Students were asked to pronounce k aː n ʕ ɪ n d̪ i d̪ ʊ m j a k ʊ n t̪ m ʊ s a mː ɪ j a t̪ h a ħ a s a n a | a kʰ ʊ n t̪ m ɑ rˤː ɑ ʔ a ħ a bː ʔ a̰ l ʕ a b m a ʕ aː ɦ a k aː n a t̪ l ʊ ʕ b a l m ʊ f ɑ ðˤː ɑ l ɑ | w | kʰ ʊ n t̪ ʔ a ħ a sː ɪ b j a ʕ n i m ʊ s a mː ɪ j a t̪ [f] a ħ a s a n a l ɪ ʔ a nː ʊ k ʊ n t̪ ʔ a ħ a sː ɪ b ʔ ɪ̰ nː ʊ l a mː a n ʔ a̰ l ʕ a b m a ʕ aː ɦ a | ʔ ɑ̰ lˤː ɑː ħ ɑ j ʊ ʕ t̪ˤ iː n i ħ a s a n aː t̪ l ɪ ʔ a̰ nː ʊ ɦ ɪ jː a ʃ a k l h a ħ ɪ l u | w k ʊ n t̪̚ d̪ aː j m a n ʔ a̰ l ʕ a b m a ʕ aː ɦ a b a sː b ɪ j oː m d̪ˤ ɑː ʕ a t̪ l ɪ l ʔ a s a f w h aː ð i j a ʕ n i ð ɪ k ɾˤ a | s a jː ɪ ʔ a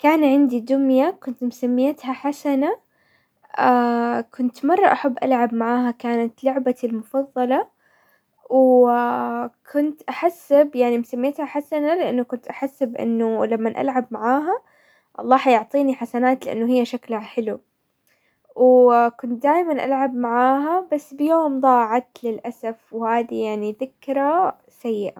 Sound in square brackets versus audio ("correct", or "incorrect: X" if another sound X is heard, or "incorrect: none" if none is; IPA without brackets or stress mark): incorrect: h